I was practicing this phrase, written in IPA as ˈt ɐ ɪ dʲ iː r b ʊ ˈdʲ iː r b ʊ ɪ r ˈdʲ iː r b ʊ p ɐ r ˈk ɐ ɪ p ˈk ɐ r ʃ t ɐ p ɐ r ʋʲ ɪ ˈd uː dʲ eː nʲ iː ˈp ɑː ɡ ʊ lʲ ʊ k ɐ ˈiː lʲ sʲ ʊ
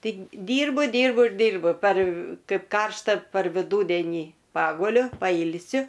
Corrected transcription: ˈt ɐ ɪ dʲ iː r b ʊ ˈdʲ iː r b ʊ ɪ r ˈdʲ iː r b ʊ p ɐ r ˈk ɐ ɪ p ˈk ɐ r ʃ t ɐ p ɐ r ʋʲ ɪ ˈd uː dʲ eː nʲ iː ˈp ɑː ɡ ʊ lʲ ʊ p ɐ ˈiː lʲ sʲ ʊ

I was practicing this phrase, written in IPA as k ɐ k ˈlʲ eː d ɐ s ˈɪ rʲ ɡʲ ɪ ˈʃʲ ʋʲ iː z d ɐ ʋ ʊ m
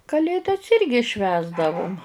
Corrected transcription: k ɐ ˈlʲ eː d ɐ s ˈɪ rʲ ɡʲ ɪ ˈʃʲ ʋʲ æː z d ɐ ʋ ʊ m

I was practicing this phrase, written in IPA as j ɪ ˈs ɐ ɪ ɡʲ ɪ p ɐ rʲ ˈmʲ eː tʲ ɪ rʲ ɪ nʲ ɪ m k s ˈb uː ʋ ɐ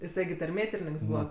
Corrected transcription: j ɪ ˈs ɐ ɪ ɡʲ ɪ t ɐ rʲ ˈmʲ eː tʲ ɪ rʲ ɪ nʲ ɪ ŋ k s ˈb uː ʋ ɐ

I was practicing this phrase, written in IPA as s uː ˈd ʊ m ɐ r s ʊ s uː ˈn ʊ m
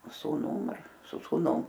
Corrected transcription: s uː ˈn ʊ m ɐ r s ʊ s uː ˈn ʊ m

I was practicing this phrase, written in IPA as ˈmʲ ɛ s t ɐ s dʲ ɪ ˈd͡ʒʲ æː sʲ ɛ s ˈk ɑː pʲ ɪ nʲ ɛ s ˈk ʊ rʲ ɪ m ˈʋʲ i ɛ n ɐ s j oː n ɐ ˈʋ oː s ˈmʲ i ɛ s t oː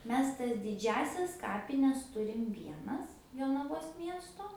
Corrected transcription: ˈmʲ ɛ s t ɐ s dʲ ɪ ˈd͡ʒʲ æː sʲ ɛ s ˈk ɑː pʲ ɪ nʲ ɛ s ˈt ʊ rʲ ɪ m ˈʋʲ i ɛ n ɐ s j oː n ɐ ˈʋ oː s ˈmʲ i ɛ s t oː

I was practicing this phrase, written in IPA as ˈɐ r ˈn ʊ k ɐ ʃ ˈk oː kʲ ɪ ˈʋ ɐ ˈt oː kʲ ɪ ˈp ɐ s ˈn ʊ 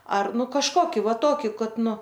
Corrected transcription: ˈɐ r ˈn ʊ k ɐ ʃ ˈk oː kʲ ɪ ˈʋ ɐ ˈt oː kʲ ɪ ˈk ɐ t ˈn ʊ

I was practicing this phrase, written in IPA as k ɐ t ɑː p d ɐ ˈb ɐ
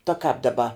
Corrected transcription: t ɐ k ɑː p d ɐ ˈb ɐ

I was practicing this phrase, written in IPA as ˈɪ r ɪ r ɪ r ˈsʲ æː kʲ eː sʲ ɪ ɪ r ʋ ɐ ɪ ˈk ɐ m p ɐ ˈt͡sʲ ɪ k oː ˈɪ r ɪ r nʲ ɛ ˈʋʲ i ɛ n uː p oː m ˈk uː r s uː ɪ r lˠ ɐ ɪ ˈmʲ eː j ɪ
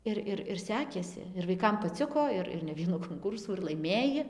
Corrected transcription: ˈɪ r ɪ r ɪ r ˈsʲ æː kʲ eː sʲ ɪ ɪ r ʋ ɐ ɪ ˈk ɐ m p ɐ ˈt͡sʲ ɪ k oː ˈɪ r ɪ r nʲ ɛ ˈʋʲ i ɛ n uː k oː ŋ ˈk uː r s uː ɪ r lˠ ɐ ɪ ˈmʲ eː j ɪ

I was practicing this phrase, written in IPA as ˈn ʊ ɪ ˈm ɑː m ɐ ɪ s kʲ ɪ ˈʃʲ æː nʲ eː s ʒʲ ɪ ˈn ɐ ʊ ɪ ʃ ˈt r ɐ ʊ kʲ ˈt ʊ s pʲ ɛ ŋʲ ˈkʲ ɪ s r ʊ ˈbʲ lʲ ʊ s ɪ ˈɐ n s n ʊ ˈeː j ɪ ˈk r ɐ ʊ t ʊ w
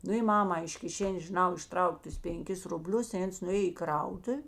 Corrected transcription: ˈn ʊ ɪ ˈm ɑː m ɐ ɪ ʃ kʲ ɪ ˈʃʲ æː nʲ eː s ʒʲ ɪ ˈn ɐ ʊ ɪ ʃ ˈt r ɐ ʊ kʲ ˈt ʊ s pʲ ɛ ŋʲ ˈkʲ ɪ s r ʊ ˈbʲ lʲ ʊ s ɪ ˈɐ n s n ʊ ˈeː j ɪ ˈk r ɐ ʊ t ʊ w

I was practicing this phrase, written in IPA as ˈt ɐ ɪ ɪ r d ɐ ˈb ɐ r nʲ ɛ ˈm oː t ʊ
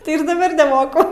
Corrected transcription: ˈt ɐ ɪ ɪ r d ɐ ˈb ɐ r nʲ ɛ ˈm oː k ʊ

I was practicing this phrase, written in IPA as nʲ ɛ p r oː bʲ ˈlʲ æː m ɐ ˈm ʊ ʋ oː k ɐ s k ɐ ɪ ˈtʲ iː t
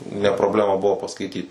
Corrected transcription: nʲ ɛ p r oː bʲ ˈlʲ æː m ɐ ˈb ʊ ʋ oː p ɐ s k ɐ ɪ ˈtʲ iː t

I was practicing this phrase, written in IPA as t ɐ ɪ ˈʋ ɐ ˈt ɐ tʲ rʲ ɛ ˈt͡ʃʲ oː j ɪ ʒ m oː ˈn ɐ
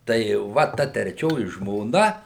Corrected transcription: t ɐ ɪ ˈʋ ɐ ˈt ɐ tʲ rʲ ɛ ˈt͡ʃʲ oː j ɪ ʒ m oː ˈn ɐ

